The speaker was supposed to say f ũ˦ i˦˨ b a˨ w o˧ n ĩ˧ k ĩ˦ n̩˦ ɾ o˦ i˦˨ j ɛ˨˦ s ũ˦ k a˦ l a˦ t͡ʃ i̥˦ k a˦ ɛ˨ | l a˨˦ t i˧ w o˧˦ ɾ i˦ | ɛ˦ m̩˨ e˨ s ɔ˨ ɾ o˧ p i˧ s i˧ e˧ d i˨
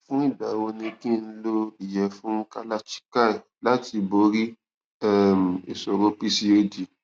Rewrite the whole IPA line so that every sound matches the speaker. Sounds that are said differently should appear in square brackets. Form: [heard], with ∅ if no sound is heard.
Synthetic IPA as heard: f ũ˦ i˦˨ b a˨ w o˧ n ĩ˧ k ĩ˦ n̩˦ [l] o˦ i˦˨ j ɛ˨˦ [f] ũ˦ k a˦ l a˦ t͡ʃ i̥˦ k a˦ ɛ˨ | l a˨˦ t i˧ [b] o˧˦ ɾ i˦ | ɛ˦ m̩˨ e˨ s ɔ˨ ɾ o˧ p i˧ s i˧ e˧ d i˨